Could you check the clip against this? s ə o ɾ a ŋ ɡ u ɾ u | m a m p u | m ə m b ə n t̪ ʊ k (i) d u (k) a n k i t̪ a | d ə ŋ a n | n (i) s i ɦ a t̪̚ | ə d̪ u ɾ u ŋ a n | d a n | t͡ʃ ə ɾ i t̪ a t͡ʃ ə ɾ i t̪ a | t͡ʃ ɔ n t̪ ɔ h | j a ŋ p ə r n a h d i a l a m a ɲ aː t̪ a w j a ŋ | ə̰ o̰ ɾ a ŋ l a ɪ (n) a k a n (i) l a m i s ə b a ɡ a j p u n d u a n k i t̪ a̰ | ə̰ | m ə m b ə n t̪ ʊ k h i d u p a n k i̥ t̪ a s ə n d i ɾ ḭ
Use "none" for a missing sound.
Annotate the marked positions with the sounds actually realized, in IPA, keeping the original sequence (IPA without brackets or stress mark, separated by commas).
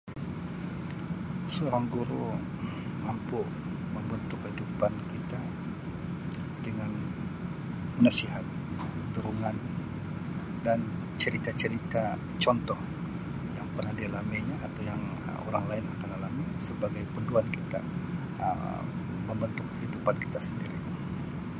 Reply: i, p, a, n, a